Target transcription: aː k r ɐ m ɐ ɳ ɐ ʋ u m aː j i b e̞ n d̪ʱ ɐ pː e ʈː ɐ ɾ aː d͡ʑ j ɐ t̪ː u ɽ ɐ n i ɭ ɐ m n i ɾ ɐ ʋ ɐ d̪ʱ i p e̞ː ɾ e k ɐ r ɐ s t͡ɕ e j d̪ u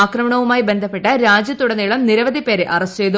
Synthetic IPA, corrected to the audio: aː k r ɐ m ɐ ɳ ɐ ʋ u m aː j i b e̞ n d̪ʱ ɐ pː e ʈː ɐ ɾ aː d͡ʑ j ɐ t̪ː u ɽ ɐ n i ɭ ɐ m n i ɾ ɐ ʋ ɐ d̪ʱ i p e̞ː ɾ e ʔ ɐ r ɐ s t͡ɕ e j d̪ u